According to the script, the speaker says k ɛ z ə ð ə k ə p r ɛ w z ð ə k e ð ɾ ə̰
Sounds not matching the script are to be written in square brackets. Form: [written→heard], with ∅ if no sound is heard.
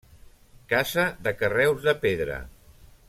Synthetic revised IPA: k [ɛ→a] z ə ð ə k ə [p→∅] r ɛ w z ð ə [k→p] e ð ɾ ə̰